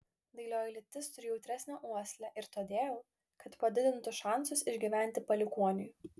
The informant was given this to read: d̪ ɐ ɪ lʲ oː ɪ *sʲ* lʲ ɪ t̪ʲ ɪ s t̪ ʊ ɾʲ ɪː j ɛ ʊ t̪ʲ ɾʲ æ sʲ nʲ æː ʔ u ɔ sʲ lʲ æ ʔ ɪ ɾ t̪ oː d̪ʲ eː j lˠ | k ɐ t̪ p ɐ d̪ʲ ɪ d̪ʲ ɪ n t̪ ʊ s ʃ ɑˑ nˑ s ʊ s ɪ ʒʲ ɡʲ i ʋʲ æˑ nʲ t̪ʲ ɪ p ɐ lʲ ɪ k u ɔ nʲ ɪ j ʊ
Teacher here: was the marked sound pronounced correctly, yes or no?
no